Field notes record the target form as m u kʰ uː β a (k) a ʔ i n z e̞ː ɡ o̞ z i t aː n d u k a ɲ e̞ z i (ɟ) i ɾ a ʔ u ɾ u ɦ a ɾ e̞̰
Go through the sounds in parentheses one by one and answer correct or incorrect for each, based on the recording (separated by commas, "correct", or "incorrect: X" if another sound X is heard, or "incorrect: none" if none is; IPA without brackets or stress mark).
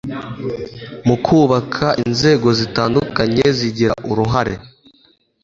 incorrect: kʰ, correct